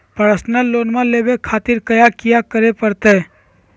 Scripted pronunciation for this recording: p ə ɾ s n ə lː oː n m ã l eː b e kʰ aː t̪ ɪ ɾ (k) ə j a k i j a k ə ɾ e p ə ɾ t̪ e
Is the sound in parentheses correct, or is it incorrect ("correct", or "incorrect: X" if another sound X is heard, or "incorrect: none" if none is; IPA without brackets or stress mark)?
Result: correct